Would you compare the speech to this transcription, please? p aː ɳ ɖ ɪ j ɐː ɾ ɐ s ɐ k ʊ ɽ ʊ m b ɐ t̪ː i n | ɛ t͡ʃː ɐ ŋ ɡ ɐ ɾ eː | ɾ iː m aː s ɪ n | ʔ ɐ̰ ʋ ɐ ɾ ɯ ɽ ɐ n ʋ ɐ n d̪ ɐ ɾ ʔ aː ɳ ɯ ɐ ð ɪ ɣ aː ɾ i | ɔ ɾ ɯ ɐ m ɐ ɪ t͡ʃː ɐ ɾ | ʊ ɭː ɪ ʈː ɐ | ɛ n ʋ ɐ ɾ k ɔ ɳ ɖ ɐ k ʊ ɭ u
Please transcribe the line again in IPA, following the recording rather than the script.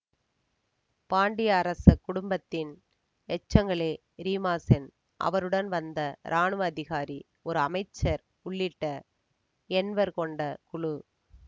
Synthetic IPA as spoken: p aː ɳ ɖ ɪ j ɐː ɾ ɐ s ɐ k ʊ ɽ ʊ m b ɐ t̪ː ɪ n | ɛ t͡ʃː ɐ ŋ ɡ ɐ ɭ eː | ɾ iː m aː s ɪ n | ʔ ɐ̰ ʋ ɐ ɾ ɯ ɽ ɐ n ʋ ɐ n d̪ ɐ ɾ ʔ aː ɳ ɯ ɐ ð ɪ ɣ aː ɾ i | ɔ ɾ ɯ ɐ m ɐ ɪ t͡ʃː ɐ ɾ | ʊ ɭː ɪ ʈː ɐ | ɛ n ʋ ɐ ɾ k ɔ ɳ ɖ ɐ k ʊ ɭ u